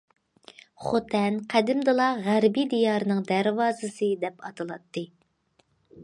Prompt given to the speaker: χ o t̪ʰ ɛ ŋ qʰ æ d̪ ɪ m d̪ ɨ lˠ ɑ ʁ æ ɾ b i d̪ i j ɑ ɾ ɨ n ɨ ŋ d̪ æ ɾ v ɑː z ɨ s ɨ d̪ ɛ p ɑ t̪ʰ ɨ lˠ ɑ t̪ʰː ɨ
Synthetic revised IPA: χ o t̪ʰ ɛ n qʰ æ d̪ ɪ m d̪ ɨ lˠ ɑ ʁ æ ɾ b i d̪ i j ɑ ɾ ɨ n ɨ ŋ d̪ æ ɾ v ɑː z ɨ s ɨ d̪ ɛ p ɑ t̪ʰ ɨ lˠ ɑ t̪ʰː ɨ

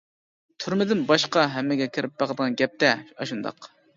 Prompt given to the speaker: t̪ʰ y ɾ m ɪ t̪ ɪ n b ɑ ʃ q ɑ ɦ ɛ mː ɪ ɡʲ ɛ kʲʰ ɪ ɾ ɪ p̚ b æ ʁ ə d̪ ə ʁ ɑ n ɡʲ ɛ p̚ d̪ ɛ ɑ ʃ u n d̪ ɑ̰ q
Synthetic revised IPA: t̪ʰ y ɾ m ɪ d̪ ɪ n b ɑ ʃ q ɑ ɦ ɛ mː ɪ ɡʲ ɛ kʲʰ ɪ ɾ ɪ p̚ b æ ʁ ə d̪ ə ʁ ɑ n ɡʲ ɛ p̚ t̪ ɛ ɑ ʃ u n d̪ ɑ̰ q

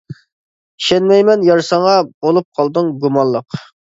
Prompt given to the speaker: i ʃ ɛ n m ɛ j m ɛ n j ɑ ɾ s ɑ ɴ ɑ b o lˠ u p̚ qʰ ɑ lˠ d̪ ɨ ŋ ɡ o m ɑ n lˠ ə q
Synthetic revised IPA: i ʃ ɛ n m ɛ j m ɛ n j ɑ ɾ s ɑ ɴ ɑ b o lˠ u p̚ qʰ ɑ lˠ d̪ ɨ ŋ ɡ u m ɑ n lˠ ə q

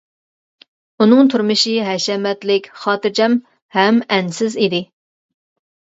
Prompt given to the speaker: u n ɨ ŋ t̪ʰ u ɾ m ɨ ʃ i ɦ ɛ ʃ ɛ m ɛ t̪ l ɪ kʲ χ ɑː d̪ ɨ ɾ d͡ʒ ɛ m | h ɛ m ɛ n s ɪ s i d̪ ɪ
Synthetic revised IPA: u n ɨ ŋ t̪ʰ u ɾ m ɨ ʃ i ɦ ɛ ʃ ɛ m ɛ t̪ l ɪ kʲ χ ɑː t̪ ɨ ɾ d͡ʒ ɛ m | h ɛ m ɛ n s ɪ z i d̪ ɪ

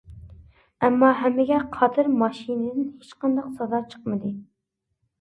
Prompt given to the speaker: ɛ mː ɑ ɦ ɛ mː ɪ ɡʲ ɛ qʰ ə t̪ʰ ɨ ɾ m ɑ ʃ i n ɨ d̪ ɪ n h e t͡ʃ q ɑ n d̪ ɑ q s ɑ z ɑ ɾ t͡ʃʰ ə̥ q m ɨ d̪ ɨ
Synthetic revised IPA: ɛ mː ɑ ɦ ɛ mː ɪ ɡʲ ɛ qʰ ɑ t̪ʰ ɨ ɾ m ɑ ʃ i n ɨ d̪ ɪ n h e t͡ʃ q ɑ n d̪ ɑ q s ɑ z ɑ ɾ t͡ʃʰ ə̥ q m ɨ d̪ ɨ

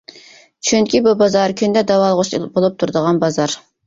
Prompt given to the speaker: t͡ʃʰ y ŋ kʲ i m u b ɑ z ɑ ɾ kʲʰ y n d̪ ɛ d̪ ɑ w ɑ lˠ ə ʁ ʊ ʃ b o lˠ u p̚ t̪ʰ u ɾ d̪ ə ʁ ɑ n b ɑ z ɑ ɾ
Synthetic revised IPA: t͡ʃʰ y ŋ kʲ i b u b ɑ z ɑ ɾ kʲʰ y n d̪ ɛ d̪ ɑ w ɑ lˠ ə ʁ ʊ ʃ b o lˠ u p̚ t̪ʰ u ɾ d̪ ə ʁ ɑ n b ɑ z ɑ ɾ

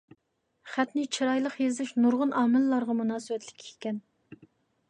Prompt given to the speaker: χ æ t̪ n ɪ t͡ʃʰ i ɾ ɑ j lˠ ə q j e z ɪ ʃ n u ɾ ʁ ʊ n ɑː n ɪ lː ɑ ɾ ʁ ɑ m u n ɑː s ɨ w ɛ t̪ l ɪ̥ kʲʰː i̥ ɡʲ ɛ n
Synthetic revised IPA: χ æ t̪ n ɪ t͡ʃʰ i ɾ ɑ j lˠ ə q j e z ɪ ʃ n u ɾ ʁ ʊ n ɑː m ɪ lː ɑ ɾ ʁ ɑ m u n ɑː s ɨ w ɛ t̪ l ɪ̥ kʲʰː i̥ kʲ ɛ n

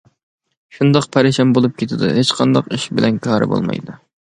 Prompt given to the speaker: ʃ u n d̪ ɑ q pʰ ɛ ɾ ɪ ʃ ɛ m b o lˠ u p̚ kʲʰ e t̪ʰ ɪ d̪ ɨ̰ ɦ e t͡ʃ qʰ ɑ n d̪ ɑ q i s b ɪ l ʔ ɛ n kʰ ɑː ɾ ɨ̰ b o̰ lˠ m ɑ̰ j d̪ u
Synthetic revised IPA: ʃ u n d̪ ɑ q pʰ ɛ ɾ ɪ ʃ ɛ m b o lˠ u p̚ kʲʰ e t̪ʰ ɪ d̪ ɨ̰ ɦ e t͡ʃ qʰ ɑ n d̪ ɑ q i ʃ b ɪ l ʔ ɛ n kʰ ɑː ɾ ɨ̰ b o̰ lˠ m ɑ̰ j d̪ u

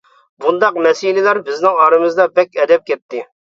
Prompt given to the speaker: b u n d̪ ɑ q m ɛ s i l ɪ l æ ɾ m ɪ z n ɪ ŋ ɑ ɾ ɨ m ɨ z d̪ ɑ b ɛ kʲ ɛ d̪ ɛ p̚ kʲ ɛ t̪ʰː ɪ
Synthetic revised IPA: b u n d̪ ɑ q m ɛ s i l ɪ l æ ɾ b ɪ z n ɪ ŋ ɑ ɾ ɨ m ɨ z d̪ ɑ b ɛ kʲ ɛ d̪ ɛ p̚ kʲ ɛ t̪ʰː ɪ

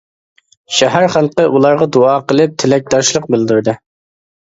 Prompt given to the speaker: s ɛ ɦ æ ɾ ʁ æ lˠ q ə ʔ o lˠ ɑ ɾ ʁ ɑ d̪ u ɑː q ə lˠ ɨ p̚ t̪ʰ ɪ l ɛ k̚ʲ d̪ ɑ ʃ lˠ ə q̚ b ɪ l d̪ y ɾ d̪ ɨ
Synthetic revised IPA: ʃ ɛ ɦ æ ɾ χ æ lˠ q ə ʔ u lˠ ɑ ɾ ʁ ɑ d̪ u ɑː q ə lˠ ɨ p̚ t̪ʰ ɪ l ɛ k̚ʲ d̪ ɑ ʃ lˠ ə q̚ b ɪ l d̪ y ɾ d̪ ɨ

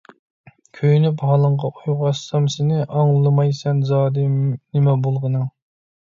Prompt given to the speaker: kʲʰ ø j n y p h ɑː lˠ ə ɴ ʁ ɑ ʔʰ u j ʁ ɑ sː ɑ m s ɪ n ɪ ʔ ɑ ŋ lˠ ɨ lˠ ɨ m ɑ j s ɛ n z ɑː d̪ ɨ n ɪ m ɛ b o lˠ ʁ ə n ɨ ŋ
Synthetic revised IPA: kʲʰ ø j n y p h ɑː lˠ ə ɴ ʁ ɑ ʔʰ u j ʁ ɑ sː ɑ m s ɪ n ɪ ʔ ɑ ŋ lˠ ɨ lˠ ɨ m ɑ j s ɛ n z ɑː d̪ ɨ n ɪ m ɛ b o lˠ ʁ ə n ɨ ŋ

